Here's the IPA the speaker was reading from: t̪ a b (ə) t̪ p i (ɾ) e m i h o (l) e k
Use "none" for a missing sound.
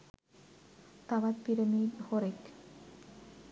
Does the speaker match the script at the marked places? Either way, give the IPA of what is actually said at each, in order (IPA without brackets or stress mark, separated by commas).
a, ɾ, ɾ